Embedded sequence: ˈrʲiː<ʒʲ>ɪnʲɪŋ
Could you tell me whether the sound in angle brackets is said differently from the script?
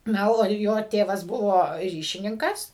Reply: yes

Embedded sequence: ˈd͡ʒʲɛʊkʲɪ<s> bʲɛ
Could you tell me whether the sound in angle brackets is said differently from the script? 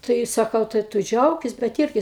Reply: no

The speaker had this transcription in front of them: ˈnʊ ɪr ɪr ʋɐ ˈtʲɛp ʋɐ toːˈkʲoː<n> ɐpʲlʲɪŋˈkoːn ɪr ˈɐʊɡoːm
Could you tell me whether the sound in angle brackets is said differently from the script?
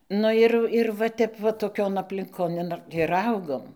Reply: no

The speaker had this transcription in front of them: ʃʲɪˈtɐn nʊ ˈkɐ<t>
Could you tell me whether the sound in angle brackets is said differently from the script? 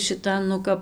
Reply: yes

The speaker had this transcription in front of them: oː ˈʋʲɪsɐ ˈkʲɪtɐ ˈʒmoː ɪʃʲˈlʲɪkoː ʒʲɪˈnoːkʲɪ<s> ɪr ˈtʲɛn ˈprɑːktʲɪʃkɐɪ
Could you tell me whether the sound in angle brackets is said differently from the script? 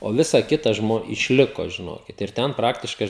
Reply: yes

